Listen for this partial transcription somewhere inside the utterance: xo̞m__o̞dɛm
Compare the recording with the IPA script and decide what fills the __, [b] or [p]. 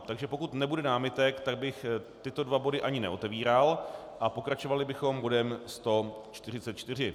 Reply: b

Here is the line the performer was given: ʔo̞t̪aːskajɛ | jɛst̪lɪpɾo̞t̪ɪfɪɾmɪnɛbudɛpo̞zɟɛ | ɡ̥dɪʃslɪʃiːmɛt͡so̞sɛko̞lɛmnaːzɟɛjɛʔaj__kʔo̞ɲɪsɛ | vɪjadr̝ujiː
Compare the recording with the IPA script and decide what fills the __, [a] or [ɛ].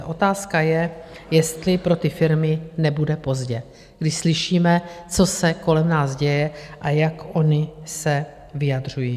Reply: a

